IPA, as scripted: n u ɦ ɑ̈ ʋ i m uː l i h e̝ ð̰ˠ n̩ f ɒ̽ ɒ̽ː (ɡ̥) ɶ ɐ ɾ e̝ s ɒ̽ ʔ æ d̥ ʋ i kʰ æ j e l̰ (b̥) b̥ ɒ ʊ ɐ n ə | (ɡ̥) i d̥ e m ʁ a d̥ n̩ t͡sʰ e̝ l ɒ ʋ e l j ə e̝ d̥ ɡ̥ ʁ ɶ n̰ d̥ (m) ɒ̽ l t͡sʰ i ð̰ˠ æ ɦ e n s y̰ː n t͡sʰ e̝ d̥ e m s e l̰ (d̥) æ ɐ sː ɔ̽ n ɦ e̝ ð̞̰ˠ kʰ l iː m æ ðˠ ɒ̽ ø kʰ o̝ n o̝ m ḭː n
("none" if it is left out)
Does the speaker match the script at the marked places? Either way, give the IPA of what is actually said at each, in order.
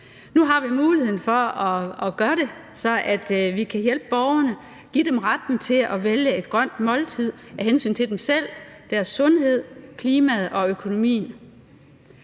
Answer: ɡ̥, b̥, ɡ̥, m, d̥

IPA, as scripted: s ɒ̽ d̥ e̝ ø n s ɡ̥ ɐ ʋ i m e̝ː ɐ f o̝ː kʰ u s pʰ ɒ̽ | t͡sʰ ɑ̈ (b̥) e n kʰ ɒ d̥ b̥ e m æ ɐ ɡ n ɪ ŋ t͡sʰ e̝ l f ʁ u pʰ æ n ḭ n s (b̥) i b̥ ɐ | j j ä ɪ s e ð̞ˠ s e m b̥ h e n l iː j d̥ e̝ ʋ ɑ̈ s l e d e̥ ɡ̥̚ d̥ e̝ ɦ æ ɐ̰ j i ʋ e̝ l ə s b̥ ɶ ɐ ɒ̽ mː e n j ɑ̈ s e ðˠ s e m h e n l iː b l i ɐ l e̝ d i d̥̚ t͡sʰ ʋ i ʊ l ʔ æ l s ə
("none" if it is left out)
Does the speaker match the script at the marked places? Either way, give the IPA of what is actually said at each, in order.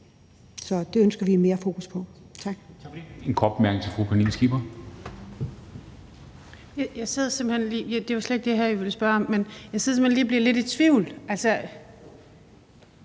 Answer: ɡ̥, ɡ̥

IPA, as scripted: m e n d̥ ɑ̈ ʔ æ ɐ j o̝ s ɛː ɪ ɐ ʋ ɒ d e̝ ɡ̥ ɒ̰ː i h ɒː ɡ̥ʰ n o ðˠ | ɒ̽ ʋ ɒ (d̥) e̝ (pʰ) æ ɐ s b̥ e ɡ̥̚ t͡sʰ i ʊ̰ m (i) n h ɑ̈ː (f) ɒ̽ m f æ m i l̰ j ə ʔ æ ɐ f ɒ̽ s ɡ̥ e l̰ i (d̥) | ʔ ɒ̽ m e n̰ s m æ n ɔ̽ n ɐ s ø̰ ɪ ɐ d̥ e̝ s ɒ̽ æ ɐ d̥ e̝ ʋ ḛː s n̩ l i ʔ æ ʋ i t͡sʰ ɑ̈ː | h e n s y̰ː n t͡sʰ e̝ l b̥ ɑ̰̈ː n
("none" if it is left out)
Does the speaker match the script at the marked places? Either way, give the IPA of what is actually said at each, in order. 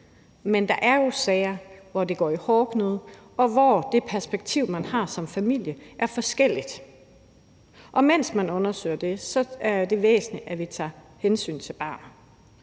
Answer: d̥, pʰ, æ, s, d̥

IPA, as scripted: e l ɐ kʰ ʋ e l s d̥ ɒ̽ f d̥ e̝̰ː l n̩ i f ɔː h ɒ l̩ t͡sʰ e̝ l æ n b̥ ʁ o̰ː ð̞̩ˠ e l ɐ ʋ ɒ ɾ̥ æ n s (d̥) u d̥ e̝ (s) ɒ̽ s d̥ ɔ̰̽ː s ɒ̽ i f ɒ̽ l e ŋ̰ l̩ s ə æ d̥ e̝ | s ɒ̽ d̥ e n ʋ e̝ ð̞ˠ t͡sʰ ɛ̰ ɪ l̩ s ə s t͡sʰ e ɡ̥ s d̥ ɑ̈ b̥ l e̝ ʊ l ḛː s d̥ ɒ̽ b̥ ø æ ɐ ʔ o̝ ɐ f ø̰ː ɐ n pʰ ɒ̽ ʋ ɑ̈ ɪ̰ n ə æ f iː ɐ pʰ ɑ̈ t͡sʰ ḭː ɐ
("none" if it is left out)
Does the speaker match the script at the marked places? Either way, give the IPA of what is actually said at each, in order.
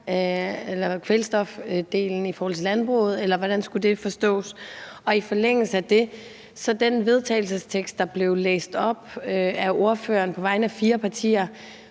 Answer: ɡ̥, f

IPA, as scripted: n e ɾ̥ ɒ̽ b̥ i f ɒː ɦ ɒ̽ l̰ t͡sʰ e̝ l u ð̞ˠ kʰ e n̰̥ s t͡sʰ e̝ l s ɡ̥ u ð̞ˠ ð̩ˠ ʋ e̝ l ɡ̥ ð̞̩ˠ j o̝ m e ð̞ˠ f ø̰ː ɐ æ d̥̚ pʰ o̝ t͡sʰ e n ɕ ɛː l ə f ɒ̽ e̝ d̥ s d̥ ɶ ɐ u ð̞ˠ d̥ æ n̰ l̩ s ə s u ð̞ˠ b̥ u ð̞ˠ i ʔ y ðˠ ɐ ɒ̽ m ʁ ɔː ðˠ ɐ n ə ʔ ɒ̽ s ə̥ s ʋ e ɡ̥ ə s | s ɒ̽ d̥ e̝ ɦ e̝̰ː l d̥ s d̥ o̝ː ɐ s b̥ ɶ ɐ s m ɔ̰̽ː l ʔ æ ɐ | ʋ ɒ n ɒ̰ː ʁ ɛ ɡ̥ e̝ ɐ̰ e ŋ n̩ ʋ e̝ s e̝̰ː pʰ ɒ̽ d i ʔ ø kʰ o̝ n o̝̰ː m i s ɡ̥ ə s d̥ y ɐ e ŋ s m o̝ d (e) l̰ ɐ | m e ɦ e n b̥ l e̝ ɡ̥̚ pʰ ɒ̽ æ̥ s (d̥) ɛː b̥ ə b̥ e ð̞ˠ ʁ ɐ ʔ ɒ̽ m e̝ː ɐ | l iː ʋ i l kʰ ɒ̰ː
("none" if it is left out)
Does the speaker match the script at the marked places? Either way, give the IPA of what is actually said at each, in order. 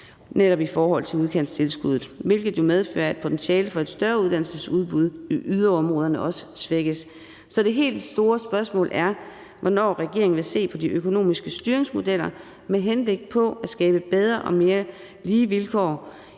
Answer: e, ɡ̥

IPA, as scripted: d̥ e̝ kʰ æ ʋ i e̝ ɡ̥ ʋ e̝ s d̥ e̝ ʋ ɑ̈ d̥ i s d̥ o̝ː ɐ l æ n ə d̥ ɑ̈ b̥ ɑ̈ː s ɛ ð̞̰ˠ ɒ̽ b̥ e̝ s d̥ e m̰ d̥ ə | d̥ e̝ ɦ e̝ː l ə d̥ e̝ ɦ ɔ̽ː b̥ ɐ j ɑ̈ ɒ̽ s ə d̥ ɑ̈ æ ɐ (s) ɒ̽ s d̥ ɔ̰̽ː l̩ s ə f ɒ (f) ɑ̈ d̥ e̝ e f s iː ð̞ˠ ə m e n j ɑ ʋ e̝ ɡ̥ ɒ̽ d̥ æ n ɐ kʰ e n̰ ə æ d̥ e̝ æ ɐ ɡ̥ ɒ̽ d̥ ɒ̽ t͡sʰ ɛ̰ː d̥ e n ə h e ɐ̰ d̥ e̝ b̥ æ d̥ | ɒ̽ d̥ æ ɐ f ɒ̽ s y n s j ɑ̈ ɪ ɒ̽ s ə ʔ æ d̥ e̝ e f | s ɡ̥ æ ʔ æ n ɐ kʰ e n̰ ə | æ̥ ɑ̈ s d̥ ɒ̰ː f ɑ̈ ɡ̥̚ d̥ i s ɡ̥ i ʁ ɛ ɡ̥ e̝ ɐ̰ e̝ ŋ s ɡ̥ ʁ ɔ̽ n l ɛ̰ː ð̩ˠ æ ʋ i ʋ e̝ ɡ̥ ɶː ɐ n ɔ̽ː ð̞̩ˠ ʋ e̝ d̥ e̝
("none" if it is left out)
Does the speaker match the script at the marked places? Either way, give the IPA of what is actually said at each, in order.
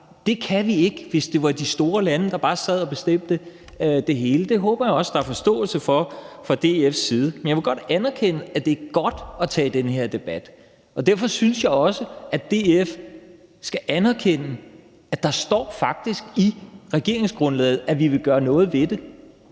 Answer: f, f

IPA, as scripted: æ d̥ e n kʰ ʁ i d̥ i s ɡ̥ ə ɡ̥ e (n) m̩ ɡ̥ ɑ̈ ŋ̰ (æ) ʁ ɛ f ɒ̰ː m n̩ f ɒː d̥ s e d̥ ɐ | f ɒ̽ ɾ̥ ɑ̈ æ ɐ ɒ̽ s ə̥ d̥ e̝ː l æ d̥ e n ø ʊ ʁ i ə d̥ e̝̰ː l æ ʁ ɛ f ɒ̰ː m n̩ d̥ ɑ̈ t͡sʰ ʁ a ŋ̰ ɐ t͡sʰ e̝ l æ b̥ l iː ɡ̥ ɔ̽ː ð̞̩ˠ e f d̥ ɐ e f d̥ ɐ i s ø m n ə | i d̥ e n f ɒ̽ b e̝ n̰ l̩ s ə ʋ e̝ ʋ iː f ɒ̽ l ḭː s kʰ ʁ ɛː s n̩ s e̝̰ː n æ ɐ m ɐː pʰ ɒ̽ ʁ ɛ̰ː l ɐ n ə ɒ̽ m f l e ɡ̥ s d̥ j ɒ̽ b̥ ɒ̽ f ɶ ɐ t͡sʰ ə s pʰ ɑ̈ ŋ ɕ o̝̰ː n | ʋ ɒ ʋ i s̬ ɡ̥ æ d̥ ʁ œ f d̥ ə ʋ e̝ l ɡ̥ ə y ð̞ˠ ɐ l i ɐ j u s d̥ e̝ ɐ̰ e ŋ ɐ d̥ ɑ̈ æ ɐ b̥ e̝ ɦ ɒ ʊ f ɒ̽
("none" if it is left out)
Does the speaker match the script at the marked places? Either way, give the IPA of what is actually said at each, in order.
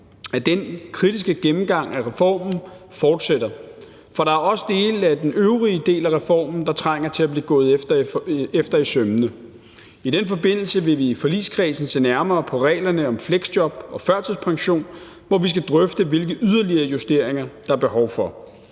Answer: m, æ

